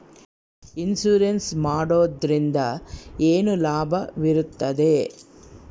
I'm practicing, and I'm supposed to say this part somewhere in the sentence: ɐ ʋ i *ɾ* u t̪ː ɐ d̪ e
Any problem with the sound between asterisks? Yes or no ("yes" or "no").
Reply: no